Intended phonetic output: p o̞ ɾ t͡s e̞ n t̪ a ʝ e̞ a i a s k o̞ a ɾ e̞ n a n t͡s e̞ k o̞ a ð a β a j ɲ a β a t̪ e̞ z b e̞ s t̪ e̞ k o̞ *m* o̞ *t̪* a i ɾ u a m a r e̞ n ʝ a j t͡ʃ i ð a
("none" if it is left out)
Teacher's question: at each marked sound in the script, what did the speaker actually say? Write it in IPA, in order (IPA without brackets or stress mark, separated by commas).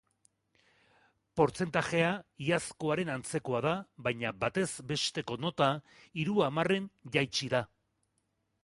n, t̪